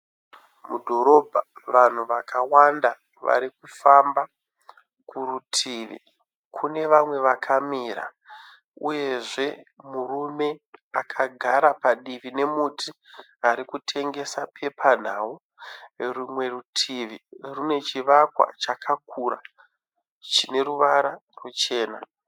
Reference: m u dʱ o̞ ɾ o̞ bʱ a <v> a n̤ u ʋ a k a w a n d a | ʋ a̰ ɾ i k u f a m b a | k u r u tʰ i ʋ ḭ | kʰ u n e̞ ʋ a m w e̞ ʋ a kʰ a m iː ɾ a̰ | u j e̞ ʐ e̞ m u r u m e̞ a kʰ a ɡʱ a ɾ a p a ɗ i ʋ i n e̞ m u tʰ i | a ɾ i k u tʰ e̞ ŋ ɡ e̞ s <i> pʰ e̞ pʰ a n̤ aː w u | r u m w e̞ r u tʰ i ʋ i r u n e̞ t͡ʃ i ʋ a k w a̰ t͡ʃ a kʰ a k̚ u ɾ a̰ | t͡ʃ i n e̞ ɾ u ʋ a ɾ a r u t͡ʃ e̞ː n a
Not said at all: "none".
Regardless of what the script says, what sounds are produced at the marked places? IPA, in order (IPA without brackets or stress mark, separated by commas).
ʋ, a